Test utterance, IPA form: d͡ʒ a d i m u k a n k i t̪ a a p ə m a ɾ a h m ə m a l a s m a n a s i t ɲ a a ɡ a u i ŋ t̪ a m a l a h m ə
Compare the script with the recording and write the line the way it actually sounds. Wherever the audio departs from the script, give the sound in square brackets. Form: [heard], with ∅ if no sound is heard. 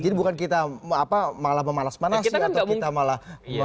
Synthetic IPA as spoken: d͡ʒ a d i [b] u k a n k i t̪ a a p [a] m a [l] a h m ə m a l a s m a n a s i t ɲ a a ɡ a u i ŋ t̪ a m a l a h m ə